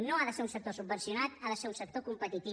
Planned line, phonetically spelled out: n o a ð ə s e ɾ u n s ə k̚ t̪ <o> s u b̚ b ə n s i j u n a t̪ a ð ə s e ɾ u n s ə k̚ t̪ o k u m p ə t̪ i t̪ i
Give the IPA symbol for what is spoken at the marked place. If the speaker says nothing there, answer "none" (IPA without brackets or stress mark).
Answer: o